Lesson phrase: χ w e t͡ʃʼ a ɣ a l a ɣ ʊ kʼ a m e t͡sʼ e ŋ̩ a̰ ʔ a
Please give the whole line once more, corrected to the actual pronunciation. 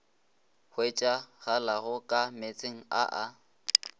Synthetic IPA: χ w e t͡ʃʼ a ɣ a l a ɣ ʊ kʼ a m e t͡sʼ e ŋ̩ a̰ ʔ a

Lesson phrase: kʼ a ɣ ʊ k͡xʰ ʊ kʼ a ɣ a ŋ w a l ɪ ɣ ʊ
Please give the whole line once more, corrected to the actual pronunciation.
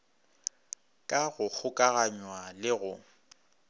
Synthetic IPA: kʼ a ɣ ʊ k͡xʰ ʊ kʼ a ɣ a ɲ w a l ɪ ɣ ʊ

